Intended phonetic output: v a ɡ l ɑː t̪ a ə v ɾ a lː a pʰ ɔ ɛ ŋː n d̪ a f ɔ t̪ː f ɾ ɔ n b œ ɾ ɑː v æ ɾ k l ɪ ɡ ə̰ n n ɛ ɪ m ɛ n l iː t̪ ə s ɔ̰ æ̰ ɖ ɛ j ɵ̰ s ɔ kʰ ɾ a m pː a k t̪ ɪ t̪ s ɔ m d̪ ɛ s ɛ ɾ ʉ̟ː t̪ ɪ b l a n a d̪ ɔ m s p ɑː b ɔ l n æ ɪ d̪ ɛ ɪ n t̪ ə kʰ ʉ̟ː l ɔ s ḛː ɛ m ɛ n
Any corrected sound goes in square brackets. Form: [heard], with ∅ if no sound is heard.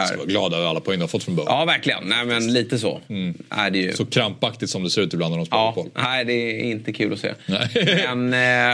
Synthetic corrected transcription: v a ɡ l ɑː [d̪] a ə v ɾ a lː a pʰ ɔ ɛ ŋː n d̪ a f ɔ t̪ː f ɾ ɔ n b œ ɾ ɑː v æ ɾ k l ɪ ɡ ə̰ n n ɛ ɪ m ɛ n l iː t̪ ə s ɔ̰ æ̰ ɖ ɛ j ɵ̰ s ɔ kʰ ɾ a m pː a k t̪ ɪ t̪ s ɔ m d̪ ɛ s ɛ ɾ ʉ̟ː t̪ ɪ b l a n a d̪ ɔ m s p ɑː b ɔ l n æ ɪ d̪ ɛ ɪ n t̪ ə kʰ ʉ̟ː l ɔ s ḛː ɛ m ɛ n